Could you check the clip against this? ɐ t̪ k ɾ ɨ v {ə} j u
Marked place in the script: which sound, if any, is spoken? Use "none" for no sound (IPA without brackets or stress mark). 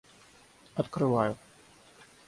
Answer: a